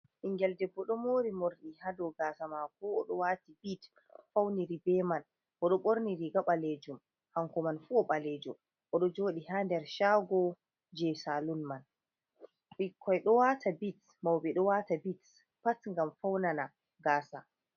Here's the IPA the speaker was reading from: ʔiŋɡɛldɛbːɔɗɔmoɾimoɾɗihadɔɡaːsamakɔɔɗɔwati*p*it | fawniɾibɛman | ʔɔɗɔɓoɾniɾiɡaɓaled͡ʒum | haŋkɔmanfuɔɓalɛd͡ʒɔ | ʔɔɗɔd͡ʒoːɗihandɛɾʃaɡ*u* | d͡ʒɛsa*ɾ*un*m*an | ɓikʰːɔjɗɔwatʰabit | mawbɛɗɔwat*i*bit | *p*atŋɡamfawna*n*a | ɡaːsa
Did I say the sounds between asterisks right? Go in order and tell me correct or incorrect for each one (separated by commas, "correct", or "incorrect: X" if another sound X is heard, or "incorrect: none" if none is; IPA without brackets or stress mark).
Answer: incorrect: b, incorrect: ɔ, incorrect: l, correct, incorrect: a, correct, correct